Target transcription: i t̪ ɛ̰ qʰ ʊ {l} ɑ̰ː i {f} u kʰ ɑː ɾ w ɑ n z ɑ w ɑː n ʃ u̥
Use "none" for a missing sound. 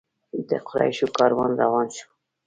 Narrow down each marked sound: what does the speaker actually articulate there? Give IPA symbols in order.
ɾ, ʃ

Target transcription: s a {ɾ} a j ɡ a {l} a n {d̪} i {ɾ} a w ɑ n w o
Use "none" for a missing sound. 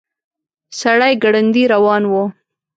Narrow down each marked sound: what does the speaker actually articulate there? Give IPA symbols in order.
ɽ, ɽ, d̪, ɾ

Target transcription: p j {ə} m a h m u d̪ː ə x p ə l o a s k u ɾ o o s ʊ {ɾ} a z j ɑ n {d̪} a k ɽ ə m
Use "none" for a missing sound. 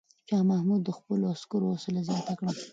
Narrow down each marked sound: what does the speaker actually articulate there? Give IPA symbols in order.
ɑ, l, t̪

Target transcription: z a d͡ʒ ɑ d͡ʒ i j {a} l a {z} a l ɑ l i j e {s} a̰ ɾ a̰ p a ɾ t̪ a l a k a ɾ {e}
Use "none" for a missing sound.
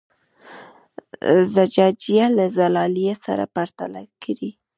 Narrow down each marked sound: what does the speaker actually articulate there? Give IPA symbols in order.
a, z, s, i

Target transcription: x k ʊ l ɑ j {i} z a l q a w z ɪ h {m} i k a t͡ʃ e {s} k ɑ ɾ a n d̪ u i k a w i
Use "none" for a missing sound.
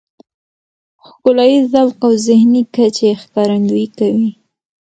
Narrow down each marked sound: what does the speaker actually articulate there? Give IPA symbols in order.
i, n, x

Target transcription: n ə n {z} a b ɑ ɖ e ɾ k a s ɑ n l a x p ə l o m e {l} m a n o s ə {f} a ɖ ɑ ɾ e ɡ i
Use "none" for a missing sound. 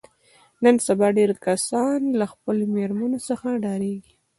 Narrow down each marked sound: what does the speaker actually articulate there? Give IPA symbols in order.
s, ɾ, x

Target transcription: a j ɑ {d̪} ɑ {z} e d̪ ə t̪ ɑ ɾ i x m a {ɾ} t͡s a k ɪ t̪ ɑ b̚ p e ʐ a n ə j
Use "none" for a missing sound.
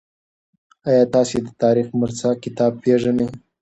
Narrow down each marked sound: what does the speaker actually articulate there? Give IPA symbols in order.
t̪, s, ɾ

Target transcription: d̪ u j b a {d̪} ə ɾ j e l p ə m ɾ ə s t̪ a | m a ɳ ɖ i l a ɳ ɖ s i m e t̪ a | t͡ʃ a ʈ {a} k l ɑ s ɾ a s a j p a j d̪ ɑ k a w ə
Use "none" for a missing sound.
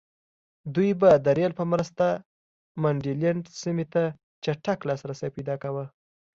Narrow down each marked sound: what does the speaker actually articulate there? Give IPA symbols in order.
d̪, a

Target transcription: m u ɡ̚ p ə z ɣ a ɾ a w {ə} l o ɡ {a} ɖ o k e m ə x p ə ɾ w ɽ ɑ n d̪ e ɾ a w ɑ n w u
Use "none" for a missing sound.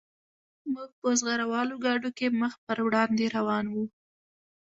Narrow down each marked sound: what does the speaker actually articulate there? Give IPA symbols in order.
ɑ, ɑ

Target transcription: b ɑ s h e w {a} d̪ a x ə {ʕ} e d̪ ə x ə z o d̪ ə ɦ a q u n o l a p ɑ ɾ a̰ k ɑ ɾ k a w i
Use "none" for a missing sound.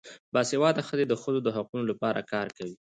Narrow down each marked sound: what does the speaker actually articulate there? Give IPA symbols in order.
ɑ, z

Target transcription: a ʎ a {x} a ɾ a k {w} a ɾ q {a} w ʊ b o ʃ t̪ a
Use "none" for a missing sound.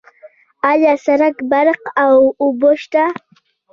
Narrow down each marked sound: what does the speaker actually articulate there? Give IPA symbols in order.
s, b, a

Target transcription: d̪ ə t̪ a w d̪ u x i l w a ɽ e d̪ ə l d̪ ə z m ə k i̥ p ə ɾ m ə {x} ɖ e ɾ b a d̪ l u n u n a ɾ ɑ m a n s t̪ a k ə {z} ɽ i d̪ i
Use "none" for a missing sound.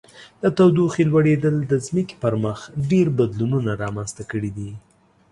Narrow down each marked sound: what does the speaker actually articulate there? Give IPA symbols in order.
x, none

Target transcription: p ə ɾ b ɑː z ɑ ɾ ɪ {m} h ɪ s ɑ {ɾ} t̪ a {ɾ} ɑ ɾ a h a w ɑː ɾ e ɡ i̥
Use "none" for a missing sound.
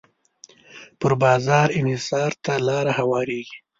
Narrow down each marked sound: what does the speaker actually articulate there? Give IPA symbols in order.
n, ɾ, l

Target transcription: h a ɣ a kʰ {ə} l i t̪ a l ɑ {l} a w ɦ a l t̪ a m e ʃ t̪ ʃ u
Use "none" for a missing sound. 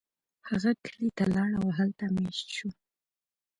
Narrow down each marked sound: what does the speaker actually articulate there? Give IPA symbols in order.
ə, ɽ

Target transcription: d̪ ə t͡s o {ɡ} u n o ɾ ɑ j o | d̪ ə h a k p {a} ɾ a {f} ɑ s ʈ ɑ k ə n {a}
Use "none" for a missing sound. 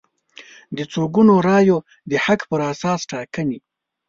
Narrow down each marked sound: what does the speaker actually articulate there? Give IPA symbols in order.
ɡ, ə, s, i

